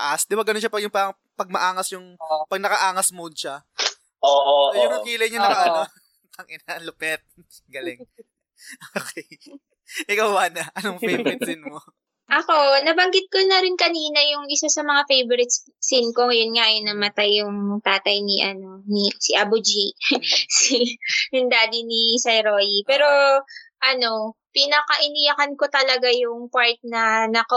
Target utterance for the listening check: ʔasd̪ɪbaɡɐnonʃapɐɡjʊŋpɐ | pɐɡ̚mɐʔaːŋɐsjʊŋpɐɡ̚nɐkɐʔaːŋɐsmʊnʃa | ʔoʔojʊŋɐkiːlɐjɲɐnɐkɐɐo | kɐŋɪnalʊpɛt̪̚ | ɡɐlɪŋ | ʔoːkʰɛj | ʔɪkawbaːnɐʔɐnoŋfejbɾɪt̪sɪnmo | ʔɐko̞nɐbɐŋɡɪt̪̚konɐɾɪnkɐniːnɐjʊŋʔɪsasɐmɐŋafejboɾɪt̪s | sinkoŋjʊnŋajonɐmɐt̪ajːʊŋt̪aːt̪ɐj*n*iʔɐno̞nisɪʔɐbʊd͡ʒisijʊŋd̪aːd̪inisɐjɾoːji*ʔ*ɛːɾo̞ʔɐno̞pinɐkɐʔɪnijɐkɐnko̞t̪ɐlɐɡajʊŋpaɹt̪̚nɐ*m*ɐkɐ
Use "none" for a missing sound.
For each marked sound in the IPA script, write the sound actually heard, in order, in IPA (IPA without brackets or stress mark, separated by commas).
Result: n, p, n